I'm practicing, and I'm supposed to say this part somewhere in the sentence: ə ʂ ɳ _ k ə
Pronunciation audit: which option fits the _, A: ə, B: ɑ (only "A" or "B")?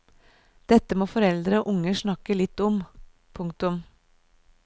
B